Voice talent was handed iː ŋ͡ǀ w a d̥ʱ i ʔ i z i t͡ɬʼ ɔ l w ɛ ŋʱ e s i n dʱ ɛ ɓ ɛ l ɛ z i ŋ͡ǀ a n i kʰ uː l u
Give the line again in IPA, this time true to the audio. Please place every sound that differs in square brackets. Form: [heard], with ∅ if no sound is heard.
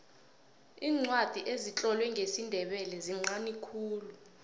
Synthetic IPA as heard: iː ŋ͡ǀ w a d̥ʱ i ʔ [e] z i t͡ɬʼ ɔ l w ɛ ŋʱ e s i n dʱ ɛ ɓ ɛ l ɛ z i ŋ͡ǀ a n i kʰ uː l u